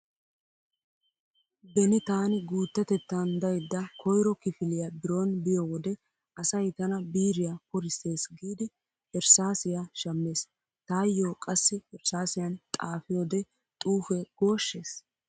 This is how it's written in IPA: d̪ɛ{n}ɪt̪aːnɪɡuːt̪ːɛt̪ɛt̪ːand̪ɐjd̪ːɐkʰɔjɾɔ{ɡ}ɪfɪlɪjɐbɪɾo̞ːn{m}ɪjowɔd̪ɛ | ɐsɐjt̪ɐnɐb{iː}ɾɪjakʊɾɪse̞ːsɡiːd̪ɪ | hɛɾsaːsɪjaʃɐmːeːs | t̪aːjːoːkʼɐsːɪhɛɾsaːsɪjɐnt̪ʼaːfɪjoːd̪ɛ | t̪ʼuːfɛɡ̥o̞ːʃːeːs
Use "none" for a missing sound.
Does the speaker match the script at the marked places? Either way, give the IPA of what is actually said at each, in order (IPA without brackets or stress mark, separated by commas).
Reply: n, k, b, iː